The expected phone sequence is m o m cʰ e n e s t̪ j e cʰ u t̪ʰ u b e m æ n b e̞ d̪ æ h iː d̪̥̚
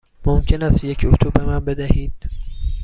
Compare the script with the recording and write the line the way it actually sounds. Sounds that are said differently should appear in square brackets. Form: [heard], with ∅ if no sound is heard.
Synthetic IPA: m o m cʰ e n [æ] s t̪ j e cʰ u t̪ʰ u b e m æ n b e̞ d̪ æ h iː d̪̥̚